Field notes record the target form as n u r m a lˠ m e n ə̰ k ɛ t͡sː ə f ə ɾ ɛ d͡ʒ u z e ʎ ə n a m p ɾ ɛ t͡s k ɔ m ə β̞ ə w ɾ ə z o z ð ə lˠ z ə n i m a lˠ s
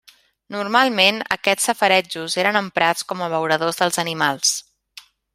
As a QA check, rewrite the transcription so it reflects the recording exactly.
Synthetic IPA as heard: n u r m a lˠ m e n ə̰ k ɛ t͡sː ə f ə ɾ ɛ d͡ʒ u z e ɾ ə n ə m p ɾ a t͡s k ɔ m ə β̞ ə w ɾ ə ð o z ð ə lˠ z ə n i m a lˠ s